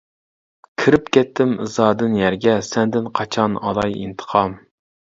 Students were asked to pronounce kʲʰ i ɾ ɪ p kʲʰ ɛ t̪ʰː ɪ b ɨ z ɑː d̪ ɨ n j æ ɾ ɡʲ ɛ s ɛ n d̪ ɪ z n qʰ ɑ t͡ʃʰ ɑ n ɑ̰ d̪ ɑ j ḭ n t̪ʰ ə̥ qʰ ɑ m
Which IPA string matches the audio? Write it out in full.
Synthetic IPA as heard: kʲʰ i ɾ ɪ p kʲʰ ɛ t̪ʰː ɪ m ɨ z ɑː d̪ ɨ n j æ ɾ ɡʲ ɛ s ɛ n d̪ ɪ n qʰ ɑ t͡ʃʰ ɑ n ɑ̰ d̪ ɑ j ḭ n t̪ʰ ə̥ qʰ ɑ m

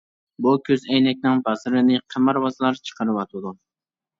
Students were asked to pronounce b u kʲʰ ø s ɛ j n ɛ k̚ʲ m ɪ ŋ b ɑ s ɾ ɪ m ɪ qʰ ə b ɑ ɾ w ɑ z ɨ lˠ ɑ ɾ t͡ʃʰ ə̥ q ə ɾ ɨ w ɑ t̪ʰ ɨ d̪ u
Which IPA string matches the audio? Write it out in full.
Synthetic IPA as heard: b u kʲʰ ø z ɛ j n ɛ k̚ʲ n ɪ ŋ b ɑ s ɾ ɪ n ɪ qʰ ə m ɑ ɾ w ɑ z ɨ lˠ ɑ ɾ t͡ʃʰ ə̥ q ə ɾ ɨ w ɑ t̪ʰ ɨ d̪ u

